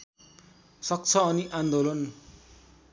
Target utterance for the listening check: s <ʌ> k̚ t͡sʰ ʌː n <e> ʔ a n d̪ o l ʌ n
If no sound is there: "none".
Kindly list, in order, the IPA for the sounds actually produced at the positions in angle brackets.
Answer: ʌ, i

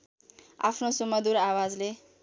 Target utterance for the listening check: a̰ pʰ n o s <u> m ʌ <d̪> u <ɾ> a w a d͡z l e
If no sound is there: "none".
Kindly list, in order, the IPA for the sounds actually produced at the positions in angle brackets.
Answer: u, d̪, ɾ

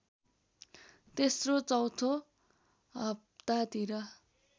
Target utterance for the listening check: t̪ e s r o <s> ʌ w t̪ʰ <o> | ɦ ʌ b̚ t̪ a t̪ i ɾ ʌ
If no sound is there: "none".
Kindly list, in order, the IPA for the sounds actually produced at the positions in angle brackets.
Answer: t͡s, o

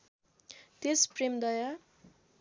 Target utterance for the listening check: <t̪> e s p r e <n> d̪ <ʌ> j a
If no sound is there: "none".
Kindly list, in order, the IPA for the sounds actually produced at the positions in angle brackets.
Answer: t̪, m, ʌ

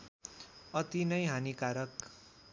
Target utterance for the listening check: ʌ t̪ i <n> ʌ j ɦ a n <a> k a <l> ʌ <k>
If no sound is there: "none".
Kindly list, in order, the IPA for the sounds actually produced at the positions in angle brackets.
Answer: n, i, ɾ, k

